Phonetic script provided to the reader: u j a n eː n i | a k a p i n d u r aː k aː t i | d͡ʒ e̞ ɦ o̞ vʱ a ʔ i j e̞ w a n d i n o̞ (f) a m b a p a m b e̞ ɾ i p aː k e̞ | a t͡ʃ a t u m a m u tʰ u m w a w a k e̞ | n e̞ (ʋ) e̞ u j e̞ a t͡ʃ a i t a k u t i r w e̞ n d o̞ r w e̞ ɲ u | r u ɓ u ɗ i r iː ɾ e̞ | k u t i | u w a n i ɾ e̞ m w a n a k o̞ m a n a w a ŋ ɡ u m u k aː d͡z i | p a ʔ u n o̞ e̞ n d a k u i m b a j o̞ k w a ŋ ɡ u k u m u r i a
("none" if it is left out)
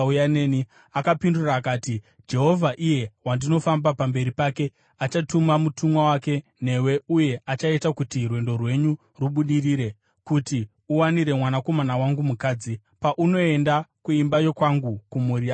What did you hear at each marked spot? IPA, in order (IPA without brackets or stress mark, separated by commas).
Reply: f, w